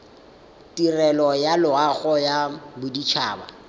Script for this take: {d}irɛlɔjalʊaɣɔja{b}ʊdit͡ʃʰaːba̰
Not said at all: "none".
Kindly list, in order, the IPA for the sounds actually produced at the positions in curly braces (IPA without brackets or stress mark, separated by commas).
t, b